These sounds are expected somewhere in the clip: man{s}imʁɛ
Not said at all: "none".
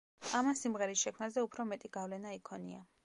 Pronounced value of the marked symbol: s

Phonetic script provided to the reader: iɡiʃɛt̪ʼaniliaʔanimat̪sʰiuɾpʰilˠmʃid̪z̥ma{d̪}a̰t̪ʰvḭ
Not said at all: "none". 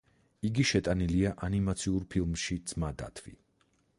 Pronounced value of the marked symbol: d̪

